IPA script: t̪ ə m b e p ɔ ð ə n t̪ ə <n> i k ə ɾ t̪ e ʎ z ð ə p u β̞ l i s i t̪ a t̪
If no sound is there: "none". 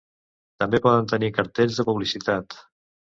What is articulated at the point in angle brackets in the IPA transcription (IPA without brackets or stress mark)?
n